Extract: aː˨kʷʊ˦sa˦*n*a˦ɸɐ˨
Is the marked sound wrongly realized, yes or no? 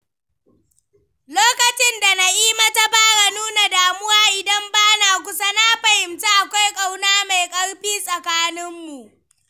no